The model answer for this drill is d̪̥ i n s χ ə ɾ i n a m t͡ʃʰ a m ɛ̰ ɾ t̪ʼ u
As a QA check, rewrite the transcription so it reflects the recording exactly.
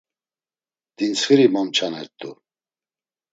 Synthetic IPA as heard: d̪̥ i n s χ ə ɾ i m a m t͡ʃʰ a n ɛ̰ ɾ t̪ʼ u